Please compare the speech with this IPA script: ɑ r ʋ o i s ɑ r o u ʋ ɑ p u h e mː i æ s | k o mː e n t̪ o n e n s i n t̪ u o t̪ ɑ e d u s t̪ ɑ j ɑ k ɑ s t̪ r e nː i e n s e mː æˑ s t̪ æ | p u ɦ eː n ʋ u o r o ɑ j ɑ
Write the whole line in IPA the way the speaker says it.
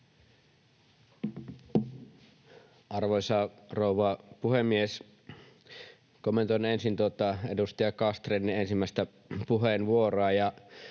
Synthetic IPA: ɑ r ʋ o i s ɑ r o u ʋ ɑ p u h e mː i e s | k o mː e n t̪ o n e n s i n t̪ u o t̪ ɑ e d u s t̪ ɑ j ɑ k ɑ s t̪ r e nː i e n s i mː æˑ s t̪ æ | p u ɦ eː n ʋ u o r o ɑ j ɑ